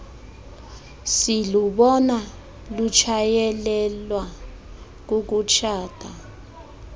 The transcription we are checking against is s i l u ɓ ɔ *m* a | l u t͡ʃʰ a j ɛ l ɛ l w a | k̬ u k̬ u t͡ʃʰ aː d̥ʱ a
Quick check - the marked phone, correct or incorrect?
incorrect